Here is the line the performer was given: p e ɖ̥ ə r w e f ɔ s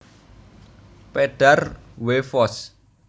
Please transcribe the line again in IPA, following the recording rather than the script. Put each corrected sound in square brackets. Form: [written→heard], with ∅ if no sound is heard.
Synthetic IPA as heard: p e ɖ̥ [ə→a] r w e f ɔ s